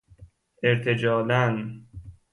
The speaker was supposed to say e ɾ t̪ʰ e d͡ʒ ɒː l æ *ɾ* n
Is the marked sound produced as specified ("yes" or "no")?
no